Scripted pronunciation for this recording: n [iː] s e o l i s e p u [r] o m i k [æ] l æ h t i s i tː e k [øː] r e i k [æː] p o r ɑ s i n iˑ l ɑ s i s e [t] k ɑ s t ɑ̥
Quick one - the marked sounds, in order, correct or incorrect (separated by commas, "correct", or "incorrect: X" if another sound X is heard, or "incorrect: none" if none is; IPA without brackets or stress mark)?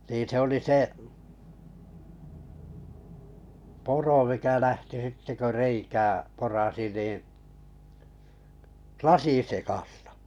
correct, correct, correct, incorrect: ø, correct, incorrect: none